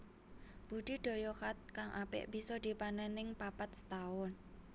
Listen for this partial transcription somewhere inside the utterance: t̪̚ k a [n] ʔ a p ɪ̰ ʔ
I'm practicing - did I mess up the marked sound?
yes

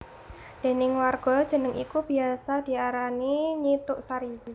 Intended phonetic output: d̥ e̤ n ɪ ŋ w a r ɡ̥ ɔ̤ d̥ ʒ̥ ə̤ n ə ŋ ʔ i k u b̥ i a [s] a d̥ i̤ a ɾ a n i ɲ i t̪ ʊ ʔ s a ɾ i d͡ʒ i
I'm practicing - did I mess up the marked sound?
no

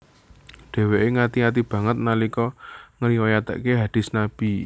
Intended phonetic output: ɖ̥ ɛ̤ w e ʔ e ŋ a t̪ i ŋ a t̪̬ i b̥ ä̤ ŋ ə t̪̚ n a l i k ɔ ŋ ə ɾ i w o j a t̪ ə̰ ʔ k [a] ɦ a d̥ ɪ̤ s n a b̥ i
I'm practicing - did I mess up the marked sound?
yes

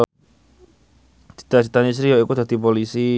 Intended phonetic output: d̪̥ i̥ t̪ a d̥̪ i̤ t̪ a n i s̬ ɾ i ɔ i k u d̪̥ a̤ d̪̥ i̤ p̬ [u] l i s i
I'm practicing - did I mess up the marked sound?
yes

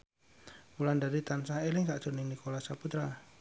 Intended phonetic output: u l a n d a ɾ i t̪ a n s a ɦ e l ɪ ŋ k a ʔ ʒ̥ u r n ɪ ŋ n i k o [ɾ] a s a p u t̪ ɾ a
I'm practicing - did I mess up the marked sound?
yes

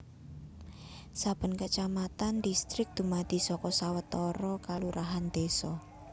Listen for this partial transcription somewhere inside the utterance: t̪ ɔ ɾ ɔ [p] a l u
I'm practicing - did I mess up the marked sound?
yes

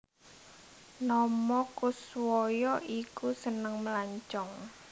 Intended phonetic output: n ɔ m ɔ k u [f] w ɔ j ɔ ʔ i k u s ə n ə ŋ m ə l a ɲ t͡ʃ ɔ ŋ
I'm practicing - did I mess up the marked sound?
yes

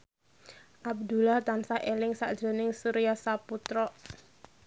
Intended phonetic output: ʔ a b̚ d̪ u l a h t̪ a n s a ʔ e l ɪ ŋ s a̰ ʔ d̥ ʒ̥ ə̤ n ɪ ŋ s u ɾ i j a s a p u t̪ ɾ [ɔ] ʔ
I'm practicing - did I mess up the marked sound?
no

